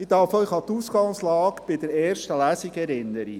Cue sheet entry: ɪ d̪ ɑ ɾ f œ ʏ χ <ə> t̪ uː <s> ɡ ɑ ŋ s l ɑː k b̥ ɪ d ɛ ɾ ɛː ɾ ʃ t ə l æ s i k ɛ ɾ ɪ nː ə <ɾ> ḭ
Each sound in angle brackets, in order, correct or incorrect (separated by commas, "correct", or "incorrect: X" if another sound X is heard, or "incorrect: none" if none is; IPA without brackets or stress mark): incorrect: ɑ, correct, correct